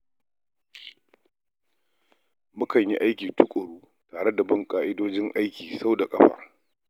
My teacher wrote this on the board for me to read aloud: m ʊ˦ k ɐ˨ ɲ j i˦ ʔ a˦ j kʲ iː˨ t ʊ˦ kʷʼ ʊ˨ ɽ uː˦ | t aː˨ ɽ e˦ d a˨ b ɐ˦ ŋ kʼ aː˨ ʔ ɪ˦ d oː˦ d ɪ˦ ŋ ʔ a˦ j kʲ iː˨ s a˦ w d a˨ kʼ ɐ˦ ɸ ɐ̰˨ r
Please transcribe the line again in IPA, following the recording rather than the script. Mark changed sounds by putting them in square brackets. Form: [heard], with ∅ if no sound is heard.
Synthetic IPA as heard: m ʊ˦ k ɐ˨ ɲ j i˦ ʔ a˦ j kʲ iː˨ t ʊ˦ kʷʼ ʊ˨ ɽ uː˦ | t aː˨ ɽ e˦ d a˨ b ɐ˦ ŋ kʼ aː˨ ʔ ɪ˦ d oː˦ [d͡ʒ] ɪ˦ ŋ ʔ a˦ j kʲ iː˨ s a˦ w d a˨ kʼ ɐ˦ ɸ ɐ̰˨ r